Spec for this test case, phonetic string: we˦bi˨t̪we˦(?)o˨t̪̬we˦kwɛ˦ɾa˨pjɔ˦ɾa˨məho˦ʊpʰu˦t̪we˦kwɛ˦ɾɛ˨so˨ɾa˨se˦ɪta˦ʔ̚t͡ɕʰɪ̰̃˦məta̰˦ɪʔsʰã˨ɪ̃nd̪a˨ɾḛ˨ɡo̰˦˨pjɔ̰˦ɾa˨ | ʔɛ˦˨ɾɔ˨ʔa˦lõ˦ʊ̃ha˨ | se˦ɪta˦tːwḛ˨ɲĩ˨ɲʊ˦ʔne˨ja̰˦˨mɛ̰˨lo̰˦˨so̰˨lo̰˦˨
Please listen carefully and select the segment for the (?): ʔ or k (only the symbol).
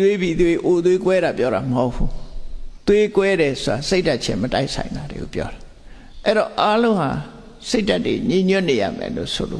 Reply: ʔ